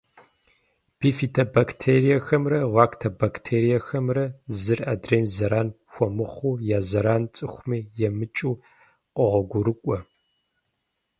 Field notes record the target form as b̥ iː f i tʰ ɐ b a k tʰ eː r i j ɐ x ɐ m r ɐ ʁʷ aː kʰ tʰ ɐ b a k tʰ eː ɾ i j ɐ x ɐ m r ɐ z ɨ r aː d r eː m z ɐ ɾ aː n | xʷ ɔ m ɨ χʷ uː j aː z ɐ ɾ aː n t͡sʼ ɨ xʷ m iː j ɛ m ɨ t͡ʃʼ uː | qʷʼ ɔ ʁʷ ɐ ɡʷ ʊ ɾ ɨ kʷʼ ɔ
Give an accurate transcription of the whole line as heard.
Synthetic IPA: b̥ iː f i tʰ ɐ b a k tʰ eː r i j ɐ x ɐ m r ɐ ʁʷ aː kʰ tʰ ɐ b a k tʰ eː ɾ i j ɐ x ɐ m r ɐ z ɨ r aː d r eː m z ɐ ɾ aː n | xʷ ɔ m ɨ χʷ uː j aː z ɐ ɾ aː n t͡sʼ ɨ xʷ m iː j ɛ m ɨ t͡ʃʼ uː | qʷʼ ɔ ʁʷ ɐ ɡʷ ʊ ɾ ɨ kʷʼ ɔ